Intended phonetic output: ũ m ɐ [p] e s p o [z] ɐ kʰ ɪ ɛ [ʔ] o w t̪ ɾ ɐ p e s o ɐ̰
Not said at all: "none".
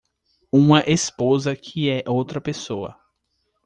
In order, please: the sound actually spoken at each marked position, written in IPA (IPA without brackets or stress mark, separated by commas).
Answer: ʔ, z, ʔ